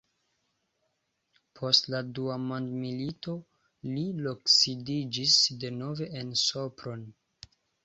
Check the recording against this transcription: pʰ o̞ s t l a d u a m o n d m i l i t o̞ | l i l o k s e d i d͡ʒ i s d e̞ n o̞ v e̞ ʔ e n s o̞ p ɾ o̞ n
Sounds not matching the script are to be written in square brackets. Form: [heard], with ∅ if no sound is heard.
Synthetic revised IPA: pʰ o̞ s t l a d u a m o n d m i l i t o̞ | l i l o k s [i] d i d͡ʒ i s d e̞ n o̞ v e̞ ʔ e n s o̞ p ɾ o̞ n